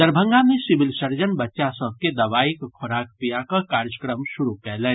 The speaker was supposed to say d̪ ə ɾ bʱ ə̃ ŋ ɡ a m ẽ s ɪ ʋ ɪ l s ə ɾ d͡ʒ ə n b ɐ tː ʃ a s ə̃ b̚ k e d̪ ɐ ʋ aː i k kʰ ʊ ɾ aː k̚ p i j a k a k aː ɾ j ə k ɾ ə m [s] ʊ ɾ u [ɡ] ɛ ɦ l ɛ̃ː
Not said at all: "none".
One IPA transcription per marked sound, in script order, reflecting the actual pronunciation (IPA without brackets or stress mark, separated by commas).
ʃ, k